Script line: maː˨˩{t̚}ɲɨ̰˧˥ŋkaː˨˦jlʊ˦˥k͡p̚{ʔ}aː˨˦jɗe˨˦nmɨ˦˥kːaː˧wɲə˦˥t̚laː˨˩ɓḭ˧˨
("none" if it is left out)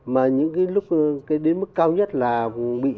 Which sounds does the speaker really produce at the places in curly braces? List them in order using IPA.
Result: none, k

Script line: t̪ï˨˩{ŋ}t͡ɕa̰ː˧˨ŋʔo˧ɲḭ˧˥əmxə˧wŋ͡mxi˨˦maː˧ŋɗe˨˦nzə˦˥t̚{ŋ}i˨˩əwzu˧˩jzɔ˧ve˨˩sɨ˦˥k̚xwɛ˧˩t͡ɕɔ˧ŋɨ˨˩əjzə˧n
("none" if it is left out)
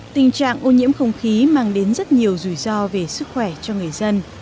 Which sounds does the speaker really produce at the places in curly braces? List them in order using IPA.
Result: ŋ, ɲ

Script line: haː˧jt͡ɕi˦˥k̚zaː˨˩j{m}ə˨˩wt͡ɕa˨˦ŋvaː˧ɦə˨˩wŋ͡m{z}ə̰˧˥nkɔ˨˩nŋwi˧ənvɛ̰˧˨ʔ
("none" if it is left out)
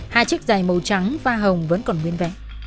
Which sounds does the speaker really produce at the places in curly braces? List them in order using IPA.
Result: m, v

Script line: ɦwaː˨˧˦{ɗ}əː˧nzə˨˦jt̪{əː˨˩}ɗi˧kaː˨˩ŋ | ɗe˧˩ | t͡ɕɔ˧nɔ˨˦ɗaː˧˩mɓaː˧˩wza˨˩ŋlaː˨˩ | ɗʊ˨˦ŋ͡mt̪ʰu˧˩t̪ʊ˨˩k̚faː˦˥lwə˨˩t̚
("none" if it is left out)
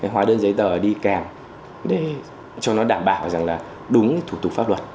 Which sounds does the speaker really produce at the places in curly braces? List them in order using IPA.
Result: ɗ, əː˨˩

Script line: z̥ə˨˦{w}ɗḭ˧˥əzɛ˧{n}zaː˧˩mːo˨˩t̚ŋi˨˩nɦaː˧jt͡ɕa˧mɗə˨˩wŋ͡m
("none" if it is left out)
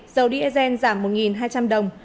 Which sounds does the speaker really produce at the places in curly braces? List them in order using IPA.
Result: w, n

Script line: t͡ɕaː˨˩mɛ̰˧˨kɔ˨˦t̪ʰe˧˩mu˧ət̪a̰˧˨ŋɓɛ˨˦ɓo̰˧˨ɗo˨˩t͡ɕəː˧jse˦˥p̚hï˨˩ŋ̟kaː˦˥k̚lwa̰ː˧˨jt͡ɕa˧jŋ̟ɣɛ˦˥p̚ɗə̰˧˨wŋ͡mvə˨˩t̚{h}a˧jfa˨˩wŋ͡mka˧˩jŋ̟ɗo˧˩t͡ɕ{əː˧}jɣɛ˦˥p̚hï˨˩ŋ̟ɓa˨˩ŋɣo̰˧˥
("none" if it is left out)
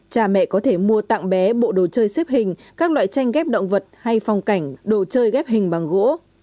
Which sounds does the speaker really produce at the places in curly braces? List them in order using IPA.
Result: h, əː˧

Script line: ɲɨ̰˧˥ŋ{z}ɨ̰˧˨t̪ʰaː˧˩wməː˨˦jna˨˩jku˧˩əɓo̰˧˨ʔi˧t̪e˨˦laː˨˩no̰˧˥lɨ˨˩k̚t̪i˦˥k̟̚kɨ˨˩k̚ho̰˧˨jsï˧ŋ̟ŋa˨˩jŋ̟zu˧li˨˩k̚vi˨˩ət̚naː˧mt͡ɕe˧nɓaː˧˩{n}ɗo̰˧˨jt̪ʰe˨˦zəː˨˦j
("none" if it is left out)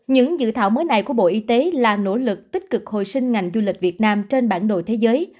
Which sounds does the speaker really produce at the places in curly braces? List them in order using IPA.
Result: z, n

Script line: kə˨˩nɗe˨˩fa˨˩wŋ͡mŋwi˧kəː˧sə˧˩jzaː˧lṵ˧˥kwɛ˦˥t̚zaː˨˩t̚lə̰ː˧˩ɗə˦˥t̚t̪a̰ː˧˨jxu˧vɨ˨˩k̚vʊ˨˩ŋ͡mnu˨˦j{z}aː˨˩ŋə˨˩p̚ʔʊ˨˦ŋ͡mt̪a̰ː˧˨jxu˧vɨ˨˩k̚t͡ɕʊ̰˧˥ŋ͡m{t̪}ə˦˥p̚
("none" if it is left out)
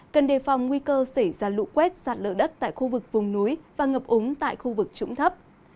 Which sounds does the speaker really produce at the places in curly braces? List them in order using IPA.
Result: v, t̪ʰ

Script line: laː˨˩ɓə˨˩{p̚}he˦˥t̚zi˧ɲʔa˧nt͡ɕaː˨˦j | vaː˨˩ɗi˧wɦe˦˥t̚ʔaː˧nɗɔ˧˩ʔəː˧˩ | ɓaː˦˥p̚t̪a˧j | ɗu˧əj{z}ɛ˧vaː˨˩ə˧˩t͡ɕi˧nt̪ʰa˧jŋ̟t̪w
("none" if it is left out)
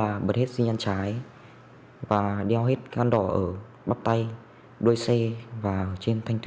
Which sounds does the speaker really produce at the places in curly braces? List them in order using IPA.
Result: t̚, s

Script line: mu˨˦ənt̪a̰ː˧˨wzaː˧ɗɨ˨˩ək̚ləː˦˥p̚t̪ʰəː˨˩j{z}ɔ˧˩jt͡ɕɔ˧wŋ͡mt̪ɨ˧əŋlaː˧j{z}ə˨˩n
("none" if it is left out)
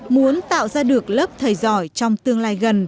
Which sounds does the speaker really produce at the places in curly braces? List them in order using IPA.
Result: z, ɣ

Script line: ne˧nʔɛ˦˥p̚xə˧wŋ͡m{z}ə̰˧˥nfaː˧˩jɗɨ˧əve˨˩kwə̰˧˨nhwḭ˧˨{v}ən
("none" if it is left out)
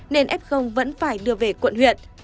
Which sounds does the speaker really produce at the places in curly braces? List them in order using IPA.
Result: v, none

